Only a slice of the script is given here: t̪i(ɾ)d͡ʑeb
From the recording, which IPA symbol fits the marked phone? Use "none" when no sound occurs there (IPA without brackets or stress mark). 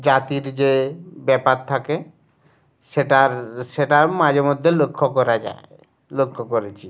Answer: ɾ